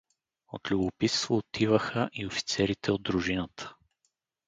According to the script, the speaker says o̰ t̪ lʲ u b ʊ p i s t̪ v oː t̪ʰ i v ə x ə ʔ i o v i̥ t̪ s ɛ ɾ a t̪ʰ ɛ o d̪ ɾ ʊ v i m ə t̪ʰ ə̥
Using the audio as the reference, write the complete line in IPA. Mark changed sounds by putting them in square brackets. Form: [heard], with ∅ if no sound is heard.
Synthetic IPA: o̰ t̪ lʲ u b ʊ p i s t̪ v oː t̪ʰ i v ə x ə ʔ i o [f] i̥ t̪ s ɛ ɾ [i] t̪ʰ ɛ o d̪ ɾ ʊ [ʒ] i [n] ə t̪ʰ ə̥